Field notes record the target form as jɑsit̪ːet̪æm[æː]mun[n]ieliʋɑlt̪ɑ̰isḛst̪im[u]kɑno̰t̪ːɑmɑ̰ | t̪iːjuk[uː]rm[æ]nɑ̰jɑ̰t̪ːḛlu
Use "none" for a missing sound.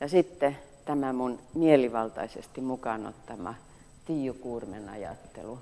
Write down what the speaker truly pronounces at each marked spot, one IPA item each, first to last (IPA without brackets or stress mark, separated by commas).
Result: æ, m, u, uː, e